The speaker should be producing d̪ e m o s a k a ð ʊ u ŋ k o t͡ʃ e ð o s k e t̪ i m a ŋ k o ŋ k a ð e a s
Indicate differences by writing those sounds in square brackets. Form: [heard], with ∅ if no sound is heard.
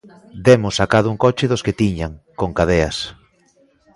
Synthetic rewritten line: d̪ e m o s a k a ð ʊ u ŋ k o t͡ʃ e ð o s k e t̪ i [ɲ] a ŋ k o ŋ k a ð e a s